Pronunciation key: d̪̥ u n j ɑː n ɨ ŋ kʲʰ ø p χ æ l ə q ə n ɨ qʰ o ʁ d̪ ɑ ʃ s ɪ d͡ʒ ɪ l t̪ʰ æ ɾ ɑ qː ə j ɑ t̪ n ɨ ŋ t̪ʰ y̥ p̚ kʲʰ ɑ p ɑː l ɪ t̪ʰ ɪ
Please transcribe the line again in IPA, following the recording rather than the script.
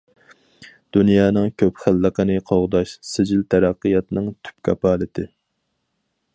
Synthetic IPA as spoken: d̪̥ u n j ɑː n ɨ ŋ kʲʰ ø p χ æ lː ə q ə n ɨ qʰ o ʁ d̪ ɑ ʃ s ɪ d͡ʒ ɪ l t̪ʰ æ ɾ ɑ qː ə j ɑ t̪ n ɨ ŋ t̪ʰ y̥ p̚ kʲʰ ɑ p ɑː l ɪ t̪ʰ ɪ